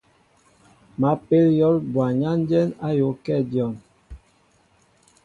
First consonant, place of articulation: labial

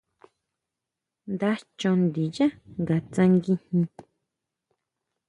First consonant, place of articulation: alveolar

